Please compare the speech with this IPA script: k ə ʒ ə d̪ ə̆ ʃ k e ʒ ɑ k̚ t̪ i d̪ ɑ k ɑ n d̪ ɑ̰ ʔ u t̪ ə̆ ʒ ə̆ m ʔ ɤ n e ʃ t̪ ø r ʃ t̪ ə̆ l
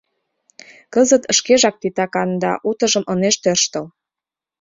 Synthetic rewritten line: k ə z ə t̪ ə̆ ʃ k e ʒ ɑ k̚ t̪ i t̪ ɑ k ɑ n d̪ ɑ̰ ʔ u t̪ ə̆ ʒ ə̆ m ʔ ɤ n e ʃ t̪ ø r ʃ t̪ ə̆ l